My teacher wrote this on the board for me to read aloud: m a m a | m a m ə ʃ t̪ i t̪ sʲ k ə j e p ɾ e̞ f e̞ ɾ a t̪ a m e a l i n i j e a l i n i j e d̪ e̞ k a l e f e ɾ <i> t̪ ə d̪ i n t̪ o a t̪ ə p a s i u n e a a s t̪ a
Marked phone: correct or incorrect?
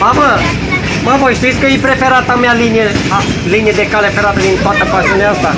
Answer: incorrect: a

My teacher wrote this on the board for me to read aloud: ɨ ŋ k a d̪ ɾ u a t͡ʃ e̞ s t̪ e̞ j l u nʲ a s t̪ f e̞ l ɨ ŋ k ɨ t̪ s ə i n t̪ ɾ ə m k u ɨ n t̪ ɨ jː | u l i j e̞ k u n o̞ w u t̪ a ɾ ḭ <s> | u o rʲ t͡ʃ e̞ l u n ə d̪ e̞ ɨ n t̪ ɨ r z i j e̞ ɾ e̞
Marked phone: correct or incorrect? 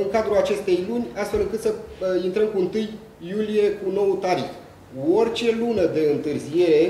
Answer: incorrect: x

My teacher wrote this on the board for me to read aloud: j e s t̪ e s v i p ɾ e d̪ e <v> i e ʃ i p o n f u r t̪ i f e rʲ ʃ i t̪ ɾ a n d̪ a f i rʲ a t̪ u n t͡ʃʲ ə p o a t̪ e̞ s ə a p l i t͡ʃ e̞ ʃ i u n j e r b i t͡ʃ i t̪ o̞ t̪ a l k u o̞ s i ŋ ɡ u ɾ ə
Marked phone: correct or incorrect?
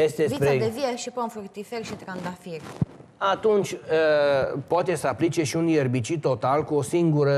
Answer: correct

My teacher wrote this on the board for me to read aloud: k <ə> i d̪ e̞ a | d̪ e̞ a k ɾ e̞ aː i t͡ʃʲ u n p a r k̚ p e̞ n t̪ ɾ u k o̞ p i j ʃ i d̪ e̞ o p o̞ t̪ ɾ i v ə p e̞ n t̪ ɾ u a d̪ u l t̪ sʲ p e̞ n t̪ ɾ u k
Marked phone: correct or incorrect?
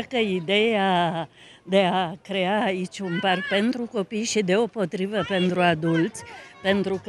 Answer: correct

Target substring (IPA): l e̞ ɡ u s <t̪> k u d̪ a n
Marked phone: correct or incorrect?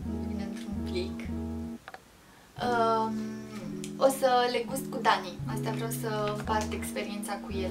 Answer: correct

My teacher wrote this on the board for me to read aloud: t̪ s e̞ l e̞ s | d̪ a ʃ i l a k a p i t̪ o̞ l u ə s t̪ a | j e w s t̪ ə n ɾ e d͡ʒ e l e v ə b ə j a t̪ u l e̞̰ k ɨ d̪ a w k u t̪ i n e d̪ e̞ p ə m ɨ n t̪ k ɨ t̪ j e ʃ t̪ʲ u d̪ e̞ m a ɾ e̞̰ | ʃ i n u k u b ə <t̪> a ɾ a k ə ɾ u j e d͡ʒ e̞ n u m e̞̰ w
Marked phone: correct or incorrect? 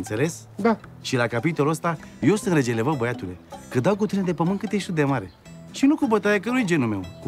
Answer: correct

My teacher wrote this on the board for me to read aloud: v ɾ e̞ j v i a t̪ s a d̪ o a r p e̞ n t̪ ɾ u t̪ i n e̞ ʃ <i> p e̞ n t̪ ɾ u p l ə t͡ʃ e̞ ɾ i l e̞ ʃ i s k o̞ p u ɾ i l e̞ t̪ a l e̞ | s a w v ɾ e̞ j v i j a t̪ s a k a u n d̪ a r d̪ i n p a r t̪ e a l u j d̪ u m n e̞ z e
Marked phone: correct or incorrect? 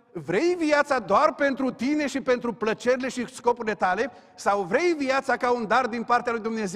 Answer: correct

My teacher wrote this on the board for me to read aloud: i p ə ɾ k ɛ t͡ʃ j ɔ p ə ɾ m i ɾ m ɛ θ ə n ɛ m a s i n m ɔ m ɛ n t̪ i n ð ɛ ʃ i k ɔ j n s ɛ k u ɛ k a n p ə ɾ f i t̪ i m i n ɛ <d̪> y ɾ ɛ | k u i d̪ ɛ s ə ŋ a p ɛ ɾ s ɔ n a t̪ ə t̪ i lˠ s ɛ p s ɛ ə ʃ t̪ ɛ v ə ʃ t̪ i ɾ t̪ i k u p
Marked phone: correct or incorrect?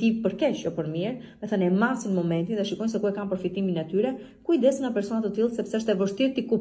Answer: incorrect: t̪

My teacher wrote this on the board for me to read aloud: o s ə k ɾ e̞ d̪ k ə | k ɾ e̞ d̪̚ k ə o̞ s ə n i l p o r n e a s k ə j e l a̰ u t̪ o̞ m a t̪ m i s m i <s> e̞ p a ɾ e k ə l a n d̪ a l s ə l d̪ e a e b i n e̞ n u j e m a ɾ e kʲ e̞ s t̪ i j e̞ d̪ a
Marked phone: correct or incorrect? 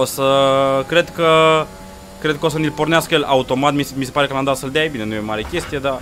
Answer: correct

